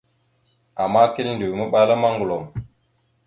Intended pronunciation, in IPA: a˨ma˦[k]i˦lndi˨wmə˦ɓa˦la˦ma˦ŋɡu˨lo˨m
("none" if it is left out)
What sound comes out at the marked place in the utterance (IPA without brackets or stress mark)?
k